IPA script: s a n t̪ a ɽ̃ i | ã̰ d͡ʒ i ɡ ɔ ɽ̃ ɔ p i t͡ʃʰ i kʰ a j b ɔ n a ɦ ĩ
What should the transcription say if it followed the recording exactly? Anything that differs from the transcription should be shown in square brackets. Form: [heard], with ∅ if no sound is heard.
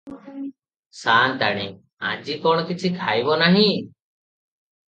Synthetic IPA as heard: s a n t̪ a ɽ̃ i | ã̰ d͡ʒ i [k] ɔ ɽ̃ ɔ [k] i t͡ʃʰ i kʰ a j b ɔ n a ɦ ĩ